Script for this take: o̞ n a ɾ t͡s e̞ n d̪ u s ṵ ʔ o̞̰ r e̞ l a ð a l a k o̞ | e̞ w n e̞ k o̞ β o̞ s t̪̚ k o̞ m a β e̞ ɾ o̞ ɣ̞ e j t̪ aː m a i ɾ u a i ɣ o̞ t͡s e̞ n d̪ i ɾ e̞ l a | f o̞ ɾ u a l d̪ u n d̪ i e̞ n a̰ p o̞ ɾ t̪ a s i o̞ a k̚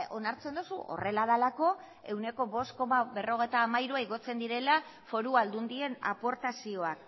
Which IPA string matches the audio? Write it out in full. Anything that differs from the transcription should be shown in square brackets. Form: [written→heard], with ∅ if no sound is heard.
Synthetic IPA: o̞ n a ɾ t͡s e̞ n d̪ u s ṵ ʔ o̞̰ r e̞ l a ð a l a k o̞ | e̞ w n e̞ k o̞ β o̞ s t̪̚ k o̞ m a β e̞ [ɾ→r] o̞ ɣ̞ e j t̪ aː m a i ɾ u a i ɣ o̞ t͡s e̞ n d̪ i ɾ e̞ l a | f o̞ ɾ u a l d̪ u n d̪ i e̞ n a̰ p o̞ ɾ t̪ a s i o̞ a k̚